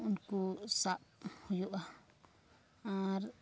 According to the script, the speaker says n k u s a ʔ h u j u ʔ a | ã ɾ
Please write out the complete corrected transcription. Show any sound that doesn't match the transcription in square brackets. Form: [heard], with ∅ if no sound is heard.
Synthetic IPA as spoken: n k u s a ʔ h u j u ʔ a | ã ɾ